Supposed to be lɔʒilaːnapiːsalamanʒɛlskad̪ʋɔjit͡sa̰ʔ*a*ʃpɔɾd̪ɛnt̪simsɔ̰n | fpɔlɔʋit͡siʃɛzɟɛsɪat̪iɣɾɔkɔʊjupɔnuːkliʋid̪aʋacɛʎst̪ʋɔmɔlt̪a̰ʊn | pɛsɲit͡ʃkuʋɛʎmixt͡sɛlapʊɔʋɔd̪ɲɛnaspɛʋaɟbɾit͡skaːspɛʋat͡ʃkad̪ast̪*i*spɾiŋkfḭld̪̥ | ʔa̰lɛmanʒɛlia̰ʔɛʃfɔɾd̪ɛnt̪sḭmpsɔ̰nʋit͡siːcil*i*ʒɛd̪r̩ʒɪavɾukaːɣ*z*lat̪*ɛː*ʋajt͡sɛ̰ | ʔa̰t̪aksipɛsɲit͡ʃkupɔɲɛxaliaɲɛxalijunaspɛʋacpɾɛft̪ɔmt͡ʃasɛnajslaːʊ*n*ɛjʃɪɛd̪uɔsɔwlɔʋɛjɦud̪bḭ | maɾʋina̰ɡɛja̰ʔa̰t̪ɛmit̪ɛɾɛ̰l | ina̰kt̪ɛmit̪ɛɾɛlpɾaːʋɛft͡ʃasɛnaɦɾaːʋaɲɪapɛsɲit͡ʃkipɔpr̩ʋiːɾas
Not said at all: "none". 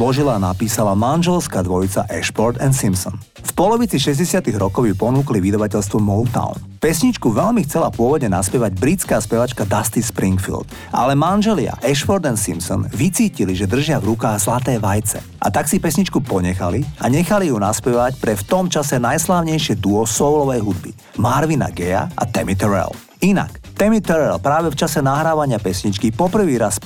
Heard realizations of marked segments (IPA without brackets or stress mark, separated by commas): ɛ, i, i, z, ɛː, ɲ